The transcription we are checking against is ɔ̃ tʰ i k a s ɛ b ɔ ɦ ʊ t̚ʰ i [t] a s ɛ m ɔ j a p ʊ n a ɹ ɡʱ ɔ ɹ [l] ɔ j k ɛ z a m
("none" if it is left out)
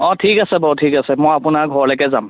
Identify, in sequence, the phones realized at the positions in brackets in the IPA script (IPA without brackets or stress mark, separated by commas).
k, l